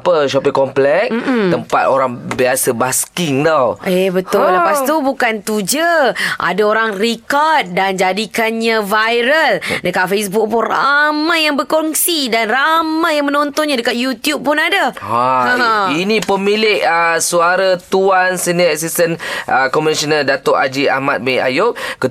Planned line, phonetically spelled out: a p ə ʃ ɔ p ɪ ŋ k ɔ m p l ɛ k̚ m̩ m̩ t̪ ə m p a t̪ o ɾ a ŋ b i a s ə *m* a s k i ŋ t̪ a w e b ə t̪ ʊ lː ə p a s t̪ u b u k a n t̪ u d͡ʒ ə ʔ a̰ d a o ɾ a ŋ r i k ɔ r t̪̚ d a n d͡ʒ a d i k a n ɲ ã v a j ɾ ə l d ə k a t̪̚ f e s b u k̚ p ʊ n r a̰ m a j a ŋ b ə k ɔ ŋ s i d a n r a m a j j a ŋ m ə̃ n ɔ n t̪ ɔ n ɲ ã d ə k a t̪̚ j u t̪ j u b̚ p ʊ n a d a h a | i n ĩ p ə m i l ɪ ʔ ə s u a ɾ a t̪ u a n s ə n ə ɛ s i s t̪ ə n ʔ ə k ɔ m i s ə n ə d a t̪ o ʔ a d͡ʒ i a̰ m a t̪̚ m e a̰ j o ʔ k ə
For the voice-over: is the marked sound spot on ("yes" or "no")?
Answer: no